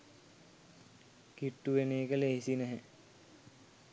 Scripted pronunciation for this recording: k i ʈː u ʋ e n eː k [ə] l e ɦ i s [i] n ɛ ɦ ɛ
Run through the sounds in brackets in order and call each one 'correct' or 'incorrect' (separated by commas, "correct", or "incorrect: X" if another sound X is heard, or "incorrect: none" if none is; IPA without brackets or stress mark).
correct, correct